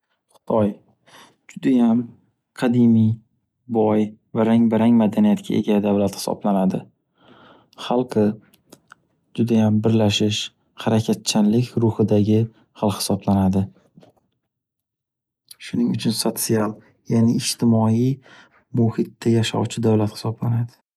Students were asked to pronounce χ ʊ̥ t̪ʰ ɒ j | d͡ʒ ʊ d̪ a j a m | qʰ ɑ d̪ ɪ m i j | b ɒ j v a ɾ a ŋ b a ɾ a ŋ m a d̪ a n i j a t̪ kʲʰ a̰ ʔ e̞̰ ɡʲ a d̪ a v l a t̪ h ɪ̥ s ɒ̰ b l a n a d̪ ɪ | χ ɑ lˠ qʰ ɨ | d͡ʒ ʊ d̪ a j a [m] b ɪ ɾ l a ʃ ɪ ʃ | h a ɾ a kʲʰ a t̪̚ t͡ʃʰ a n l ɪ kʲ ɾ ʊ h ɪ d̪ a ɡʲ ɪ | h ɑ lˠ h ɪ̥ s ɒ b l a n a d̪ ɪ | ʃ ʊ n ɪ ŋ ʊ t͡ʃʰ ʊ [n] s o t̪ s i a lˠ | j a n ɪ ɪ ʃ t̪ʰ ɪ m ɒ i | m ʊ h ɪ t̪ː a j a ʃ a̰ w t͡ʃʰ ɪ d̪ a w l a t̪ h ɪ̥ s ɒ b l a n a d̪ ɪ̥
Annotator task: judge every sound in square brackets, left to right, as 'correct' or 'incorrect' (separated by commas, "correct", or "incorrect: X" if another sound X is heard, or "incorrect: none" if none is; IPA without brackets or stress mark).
correct, correct